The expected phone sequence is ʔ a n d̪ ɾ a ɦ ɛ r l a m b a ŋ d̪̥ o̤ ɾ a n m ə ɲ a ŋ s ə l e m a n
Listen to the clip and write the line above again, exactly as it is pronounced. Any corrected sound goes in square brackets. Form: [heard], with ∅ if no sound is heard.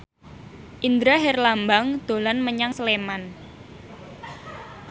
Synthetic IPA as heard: ʔ [i] n d̪ ɾ a ɦ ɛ r l a m b a ŋ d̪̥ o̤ [l] a n m ə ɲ a ŋ s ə l e m a n

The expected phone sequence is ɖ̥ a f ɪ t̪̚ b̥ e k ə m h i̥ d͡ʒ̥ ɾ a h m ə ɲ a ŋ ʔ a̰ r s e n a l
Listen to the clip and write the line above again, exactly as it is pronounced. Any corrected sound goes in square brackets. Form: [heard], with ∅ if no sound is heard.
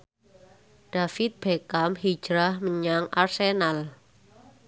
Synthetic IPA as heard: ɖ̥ a f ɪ t̪̚ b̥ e k [a] m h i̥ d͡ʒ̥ ɾ a h m ə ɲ a ŋ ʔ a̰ r s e n a l

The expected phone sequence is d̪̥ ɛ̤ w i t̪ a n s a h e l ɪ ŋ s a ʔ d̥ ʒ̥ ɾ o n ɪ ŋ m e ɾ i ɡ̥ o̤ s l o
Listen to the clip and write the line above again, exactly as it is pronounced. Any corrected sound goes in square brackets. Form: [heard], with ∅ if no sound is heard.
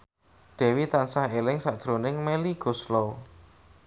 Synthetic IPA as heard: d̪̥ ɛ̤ w i t̪ a n s a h e l ɪ ŋ s a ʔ d̥ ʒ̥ ɾ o n ɪ ŋ m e [l] i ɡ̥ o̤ s l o

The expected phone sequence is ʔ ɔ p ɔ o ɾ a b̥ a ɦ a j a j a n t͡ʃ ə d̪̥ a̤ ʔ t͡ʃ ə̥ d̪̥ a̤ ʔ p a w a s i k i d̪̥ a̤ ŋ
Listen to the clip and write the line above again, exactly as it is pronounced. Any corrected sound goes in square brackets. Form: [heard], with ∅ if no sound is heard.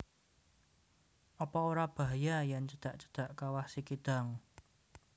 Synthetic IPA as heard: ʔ ɔ p ɔ o ɾ a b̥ a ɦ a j a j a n t͡ʃ ə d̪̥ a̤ ʔ t͡ʃ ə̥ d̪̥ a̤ ʔ [k] a w a s i k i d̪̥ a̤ ŋ

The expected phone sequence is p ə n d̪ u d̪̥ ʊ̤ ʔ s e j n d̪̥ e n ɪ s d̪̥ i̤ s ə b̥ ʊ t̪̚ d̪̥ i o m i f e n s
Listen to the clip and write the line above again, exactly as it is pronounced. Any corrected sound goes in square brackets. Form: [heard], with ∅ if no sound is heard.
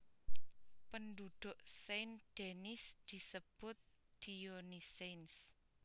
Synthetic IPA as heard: p ə n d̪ u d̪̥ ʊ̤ ʔ s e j n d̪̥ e n ɪ s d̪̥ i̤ s ə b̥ ʊ t̪̚ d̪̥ i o [n] i [s] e n s

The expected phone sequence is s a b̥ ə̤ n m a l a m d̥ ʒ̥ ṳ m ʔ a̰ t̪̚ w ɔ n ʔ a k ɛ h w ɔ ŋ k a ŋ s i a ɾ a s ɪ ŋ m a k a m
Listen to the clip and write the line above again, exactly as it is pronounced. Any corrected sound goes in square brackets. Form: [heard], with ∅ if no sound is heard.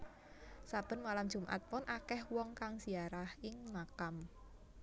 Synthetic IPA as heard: s a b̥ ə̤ n m a l a m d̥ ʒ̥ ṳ m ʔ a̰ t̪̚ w ɔ n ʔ a k ɛ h w ɔ ŋ k a ŋ s i a ɾ a [h] ɪ ŋ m a k a m

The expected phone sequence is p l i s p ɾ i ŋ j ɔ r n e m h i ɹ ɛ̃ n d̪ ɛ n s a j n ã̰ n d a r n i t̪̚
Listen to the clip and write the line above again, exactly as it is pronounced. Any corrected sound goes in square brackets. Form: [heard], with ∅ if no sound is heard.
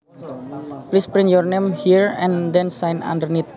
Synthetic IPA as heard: p l i s p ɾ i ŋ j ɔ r n e m h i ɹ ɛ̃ n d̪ ɛ n s a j n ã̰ n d [ə] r n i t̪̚

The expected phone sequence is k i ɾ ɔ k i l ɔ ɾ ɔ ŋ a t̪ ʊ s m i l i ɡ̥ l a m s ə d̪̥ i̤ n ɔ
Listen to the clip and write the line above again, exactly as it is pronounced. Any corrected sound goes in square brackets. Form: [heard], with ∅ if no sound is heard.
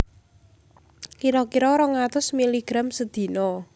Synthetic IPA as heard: k i ɾ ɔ k i [ɾ] ɔ ɾ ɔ ŋ a t̪ ʊ s m i l i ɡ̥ [ɾ] a m s ə d̪̥ i̤ n ɔ

